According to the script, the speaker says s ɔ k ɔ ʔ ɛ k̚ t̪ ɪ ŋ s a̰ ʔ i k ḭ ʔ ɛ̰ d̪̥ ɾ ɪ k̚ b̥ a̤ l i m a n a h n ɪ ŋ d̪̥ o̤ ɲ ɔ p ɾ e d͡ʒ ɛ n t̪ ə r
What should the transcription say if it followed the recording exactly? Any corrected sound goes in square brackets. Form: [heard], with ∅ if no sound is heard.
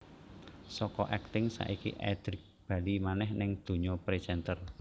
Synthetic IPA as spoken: s ɔ k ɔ ʔ ɛ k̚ t̪ ɪ ŋ s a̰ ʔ i k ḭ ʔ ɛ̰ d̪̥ ɾ ɪ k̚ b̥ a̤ l i m a n [ɛ] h n ɪ ŋ d̪̥ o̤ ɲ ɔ p ɾ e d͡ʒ ɛ n t̪ ə r